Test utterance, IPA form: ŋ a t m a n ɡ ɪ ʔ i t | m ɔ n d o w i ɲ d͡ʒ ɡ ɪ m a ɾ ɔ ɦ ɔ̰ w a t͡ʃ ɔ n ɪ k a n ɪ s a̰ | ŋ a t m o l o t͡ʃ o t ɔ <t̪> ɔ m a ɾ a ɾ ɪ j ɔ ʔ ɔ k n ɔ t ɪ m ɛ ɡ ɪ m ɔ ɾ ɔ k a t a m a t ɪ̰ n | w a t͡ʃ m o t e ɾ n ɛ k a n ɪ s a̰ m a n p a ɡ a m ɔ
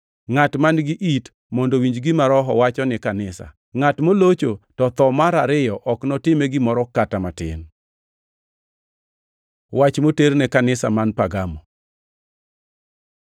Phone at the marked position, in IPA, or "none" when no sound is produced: t̪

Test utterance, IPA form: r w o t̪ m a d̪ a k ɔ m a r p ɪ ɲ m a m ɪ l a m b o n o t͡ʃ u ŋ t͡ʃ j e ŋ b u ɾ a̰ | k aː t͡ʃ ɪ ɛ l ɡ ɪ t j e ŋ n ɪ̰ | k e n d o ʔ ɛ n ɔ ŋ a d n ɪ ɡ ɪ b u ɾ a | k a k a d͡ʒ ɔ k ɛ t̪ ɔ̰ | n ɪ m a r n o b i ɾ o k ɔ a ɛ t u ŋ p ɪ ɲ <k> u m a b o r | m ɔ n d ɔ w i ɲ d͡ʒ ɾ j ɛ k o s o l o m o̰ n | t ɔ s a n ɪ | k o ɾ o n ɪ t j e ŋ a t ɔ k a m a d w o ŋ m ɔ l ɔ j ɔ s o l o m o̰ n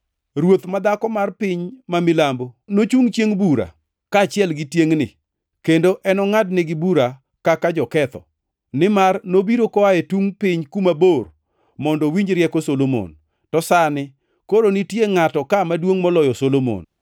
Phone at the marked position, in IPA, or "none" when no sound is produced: k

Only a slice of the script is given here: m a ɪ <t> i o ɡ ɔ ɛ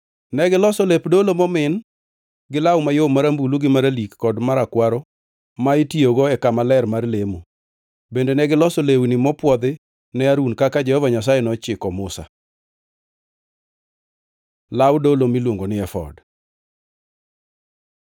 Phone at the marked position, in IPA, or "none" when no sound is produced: t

